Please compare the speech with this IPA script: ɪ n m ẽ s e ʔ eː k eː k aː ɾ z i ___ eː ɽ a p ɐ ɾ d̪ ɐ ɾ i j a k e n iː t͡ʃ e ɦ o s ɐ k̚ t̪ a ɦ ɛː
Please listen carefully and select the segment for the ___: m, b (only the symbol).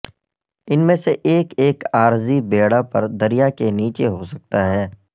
b